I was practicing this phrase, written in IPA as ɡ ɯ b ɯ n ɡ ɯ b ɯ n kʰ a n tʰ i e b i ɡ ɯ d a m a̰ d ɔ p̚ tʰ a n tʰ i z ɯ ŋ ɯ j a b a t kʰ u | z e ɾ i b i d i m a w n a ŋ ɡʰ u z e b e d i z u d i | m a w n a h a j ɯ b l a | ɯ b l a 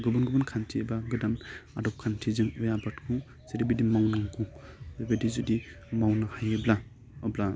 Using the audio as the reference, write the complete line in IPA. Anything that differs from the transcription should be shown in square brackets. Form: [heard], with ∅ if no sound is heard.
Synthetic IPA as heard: ɡ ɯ b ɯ n ɡ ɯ b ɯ n kʰ a n tʰ i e b [a] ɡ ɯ d a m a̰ d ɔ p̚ [kʰ] a n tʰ i z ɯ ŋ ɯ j a b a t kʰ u | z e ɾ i b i d i m a w n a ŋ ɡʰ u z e b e d i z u d i | m a w n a h a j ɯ b l a | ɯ b l a

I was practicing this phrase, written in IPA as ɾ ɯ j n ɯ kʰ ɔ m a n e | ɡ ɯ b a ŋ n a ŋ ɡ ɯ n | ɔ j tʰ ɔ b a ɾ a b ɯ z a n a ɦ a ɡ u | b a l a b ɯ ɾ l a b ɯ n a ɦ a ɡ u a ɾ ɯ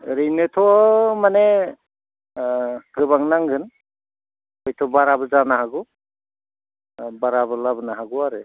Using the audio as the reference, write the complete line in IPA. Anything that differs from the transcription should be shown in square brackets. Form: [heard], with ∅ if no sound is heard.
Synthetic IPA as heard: ɾ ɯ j n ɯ [tʰ] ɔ m a n e | ɡ ɯ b a ŋ n a ŋ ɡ ɯ n | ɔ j tʰ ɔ b a ɾ a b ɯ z a n a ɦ a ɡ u | b a [ɾ] a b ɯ [∅] l a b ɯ n a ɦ a ɡ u a ɾ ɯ

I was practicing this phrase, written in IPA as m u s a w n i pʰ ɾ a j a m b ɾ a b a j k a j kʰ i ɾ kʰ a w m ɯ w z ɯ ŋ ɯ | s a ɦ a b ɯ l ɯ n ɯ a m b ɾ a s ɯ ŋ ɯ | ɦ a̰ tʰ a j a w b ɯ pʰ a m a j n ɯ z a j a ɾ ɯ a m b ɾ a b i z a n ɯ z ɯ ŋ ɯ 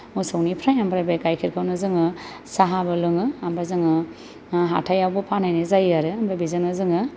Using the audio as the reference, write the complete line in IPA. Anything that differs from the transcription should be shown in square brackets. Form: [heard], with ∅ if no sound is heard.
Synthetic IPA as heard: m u s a w n i pʰ ɾ a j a m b ɾ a b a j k a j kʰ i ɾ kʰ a w [n] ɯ [∅] z ɯ ŋ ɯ | s a ɦ a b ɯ l ɯ [ŋ] ɯ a m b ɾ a [z] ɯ ŋ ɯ | ɦ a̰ tʰ a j a w b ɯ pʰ a [n] a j n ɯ z a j a ɾ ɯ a m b ɾ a b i z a n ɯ z ɯ ŋ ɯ

